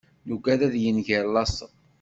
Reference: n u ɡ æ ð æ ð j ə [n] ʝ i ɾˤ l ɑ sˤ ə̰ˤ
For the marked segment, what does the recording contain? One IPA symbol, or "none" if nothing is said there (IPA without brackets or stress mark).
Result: n